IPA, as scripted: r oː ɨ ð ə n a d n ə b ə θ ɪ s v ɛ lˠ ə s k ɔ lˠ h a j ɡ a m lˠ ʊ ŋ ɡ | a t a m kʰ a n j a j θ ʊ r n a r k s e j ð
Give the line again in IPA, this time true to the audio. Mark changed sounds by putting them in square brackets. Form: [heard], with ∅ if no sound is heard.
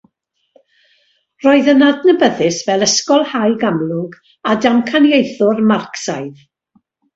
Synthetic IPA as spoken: r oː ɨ ð ə n a d n ə b ə [ð] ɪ s v ɛ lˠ ə s k ɔ lˠ h a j ɡ a m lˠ ʊ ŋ ɡ | a [d] a m kʰ a n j [e] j θ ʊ r [m] a r k s [a] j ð

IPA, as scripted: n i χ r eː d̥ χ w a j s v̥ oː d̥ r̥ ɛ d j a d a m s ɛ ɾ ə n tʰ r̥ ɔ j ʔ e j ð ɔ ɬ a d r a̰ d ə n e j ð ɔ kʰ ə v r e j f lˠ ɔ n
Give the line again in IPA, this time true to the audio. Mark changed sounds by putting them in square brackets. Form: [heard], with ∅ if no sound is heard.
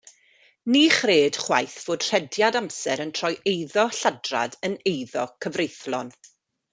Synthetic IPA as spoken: n i χ r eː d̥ χ w a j [θ] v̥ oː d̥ r̥ ɛ d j a d a m s ɛ ɾ ə n tʰ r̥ ɔ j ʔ e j ð ɔ ɬ a d r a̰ d ə n e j ð ɔ kʰ ə v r e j [θ] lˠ ɔ n

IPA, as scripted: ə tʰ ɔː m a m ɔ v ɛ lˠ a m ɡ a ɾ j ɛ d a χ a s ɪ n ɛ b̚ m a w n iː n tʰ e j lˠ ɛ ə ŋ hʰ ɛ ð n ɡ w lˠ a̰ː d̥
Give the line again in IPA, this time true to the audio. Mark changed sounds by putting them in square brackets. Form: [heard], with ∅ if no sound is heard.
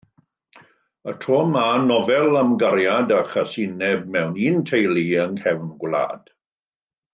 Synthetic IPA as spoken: ə tʰ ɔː m a [n] ɔ v ɛ lˠ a m ɡ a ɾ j [a] d a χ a s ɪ n ɛ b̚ m [ɛ] w n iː n tʰ e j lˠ [i] ə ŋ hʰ ɛ [v] n ɡ w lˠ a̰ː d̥

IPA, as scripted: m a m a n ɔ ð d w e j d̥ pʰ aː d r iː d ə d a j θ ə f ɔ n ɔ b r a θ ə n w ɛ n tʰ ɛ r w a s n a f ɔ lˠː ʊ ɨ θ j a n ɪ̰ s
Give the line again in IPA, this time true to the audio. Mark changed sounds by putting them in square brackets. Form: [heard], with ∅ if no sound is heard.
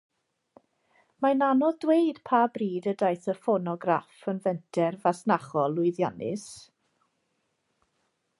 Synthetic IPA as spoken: m a [n] a n ɔ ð d w e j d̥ pʰ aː [b] r iː d ə d a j θ ə f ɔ n ɔ [ɡ] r a [f] ə n [v] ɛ n tʰ ɛ r [v] a s n a [χ] ɔ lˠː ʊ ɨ [ð] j a n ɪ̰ s

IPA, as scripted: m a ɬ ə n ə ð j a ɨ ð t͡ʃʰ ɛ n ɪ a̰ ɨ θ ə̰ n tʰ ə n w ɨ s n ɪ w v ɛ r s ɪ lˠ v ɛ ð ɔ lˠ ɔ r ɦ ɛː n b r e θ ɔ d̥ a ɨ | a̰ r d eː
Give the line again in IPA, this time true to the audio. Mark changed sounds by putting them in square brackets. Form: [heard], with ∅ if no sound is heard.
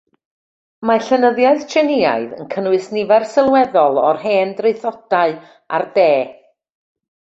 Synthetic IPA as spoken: m a ɬ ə n ə ð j a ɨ ð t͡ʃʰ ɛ n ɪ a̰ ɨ [ð] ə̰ n [kʰ] ə n w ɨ s n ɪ [∅] v ɛ r s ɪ lˠ [w] ɛ ð ɔ lˠ ɔ r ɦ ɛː n [d] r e θ ɔ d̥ a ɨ | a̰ r d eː

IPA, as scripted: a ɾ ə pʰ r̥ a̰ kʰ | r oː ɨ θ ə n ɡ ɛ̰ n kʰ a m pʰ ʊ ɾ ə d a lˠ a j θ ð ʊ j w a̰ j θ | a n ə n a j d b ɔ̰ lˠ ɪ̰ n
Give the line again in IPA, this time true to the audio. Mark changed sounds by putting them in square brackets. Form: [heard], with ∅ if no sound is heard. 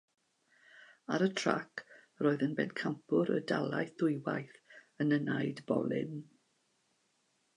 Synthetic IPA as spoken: a ɾ ə [tʰ] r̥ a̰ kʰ | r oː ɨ [ð] ə n [b] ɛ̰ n kʰ a m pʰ ʊ ɾ ə d a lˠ a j θ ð ʊ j w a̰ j θ | [ə] n ə n a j d b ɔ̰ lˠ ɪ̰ n

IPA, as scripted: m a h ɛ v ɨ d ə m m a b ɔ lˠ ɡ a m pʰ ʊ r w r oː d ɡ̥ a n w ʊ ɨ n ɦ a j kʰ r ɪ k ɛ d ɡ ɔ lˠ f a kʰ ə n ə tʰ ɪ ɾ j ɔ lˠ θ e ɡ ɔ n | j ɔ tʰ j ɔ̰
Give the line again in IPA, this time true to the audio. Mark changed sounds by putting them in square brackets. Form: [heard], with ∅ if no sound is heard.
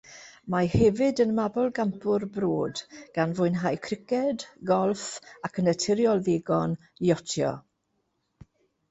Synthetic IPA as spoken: m a h ɛ v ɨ d ə [n] m a b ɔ lˠ ɡ a m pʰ ʊ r [b] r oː d ɡ̥ a n [v] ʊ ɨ n ɦ a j kʰ r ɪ k ɛ d ɡ ɔ lˠ f a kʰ ə n ə tʰ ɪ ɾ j ɔ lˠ [ð] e ɡ ɔ n | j ɔ tʰ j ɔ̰

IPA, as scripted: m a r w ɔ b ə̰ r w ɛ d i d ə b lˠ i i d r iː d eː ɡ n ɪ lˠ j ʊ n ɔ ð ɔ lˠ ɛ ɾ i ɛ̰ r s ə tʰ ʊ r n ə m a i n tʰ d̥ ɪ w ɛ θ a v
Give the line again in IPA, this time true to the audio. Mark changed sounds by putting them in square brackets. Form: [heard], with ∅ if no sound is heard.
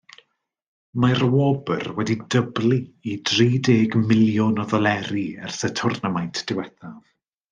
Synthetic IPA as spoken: m a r w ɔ b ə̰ r w ɛ d i d ə b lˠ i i d r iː d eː ɡ [m] ɪ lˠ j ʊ n ɔ ð ɔ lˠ ɛ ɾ i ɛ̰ r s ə tʰ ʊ r n ə m a [j] n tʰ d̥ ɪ w ɛ θ a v

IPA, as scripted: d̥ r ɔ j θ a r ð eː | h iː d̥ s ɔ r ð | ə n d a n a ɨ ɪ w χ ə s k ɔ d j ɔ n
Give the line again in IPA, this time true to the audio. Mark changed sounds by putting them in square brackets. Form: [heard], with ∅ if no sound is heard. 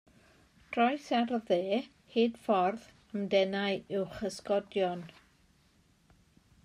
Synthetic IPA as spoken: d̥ r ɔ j [s] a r ð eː | h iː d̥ [f] ɔ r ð | ə [m] d [ɛ] n a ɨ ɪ w χ ə s k ɔ d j ɔ n

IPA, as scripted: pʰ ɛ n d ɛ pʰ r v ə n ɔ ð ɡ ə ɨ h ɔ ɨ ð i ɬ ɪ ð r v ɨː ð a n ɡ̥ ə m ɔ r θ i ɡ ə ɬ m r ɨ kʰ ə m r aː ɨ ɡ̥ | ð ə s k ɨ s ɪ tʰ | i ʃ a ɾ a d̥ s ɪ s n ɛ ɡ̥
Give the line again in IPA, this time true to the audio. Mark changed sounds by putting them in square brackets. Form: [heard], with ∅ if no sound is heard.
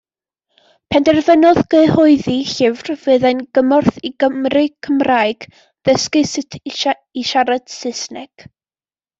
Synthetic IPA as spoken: pʰ ɛ n d ɛ [∅] r v ə n ɔ ð ɡ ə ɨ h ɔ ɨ ð i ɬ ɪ [v] r v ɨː ð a n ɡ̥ ə m ɔ r θ i ɡ ə [∅] m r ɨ kʰ ə m r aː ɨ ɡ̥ | ð ə s k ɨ s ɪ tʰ | i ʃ a ɾ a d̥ s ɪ s n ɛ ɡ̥

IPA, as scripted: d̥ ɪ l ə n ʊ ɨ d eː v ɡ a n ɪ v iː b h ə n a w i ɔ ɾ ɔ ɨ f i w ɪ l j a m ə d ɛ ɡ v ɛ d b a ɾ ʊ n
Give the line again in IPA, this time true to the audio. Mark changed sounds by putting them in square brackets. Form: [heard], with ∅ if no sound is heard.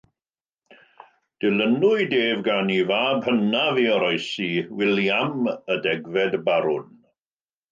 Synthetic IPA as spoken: d̥ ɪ l ə n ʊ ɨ d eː v ɡ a n [i] v [aː] b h ə n a [v] i ɔ ɾ ɔ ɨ [s] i w ɪ l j a m ə d ɛ ɡ v ɛ d b a ɾ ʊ n

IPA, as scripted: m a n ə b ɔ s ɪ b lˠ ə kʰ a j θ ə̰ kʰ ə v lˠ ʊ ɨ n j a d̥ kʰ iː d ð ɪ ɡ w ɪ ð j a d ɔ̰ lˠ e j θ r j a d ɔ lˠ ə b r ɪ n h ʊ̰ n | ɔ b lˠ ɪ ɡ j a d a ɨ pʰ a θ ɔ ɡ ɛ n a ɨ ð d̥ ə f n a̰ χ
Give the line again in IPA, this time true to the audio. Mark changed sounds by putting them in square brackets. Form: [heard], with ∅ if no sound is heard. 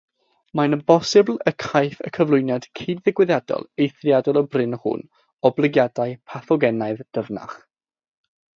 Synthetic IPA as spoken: m a n ə b ɔ s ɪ b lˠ ə kʰ a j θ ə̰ kʰ ə v lˠ ʊ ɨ n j a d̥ kʰ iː d ð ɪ ɡ w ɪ ð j a d ɔ̰ lˠ e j θ r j a d ɔ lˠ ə b r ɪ n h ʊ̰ n | ɔ b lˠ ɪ ɡ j a d a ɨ pʰ a θ ɔ ɡ ɛ n a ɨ ð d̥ ə [v] n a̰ χ

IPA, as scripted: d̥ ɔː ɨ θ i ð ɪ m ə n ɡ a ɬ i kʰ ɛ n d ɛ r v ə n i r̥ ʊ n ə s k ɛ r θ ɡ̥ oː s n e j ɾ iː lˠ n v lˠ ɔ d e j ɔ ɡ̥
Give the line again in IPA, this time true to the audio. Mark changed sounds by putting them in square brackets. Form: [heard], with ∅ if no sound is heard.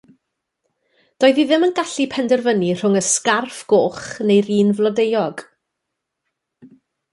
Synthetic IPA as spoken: d̥ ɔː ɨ [ð] i ð ɪ m ə n ɡ a ɬ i [pʰ] ɛ n d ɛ r v ə n i r̥ ʊ [ŋ] ə s k [a] r [f] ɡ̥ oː [χ] n e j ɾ iː [∅] n v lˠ ɔ d e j ɔ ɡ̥

